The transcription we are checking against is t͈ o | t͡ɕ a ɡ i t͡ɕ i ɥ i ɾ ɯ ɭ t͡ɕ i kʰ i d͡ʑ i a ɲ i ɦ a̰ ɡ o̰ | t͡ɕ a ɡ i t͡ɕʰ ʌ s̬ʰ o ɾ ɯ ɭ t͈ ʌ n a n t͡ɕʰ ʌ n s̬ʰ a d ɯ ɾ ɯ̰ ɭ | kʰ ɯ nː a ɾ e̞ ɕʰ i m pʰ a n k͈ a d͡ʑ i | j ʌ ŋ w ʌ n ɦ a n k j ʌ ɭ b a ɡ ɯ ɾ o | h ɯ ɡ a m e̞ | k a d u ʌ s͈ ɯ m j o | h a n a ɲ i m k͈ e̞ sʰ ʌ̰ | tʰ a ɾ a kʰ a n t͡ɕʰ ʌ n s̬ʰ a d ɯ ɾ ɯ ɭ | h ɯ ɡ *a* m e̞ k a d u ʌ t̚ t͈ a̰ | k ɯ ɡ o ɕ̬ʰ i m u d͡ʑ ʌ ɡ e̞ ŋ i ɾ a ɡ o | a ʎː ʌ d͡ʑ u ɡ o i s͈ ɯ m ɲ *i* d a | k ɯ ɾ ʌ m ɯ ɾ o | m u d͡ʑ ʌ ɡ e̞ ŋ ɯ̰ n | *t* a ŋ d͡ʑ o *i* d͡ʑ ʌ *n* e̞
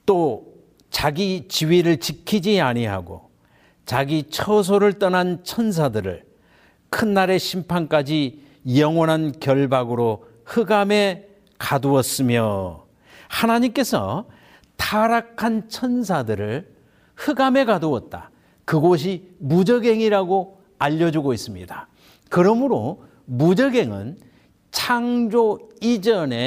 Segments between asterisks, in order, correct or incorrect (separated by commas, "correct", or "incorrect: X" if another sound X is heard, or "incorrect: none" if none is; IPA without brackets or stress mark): correct, correct, incorrect: t͡ɕʰ, correct, correct